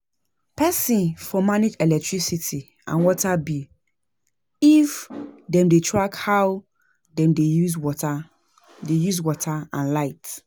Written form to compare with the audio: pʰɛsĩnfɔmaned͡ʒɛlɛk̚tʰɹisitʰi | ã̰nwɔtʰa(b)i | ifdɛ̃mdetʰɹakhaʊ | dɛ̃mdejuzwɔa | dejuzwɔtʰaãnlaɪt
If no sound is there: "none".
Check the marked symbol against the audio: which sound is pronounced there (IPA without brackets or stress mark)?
b